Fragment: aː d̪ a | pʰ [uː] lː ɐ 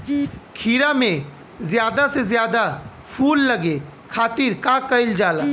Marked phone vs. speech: correct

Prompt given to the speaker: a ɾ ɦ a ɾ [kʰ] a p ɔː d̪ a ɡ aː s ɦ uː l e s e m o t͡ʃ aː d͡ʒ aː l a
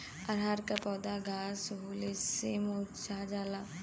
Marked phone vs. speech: incorrect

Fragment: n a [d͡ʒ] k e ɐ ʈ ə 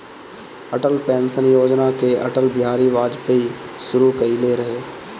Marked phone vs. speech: incorrect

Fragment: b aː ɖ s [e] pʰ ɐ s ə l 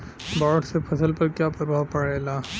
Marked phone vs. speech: correct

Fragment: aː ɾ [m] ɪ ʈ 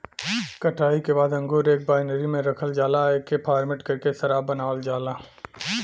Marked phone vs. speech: correct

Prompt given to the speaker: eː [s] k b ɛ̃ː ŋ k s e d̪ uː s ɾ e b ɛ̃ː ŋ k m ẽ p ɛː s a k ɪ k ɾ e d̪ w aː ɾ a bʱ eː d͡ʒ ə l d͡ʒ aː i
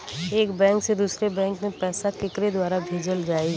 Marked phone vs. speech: incorrect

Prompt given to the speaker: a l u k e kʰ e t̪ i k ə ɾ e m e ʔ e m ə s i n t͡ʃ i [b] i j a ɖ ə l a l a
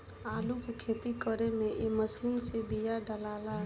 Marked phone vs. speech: correct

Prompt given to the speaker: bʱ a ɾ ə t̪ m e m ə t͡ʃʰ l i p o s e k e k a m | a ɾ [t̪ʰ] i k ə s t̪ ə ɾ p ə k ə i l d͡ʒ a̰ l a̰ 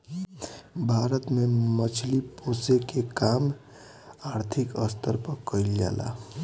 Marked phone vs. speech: correct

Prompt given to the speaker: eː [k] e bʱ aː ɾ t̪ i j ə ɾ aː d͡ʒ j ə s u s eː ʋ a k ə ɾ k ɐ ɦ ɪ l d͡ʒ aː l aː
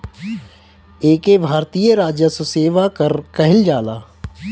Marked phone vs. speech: correct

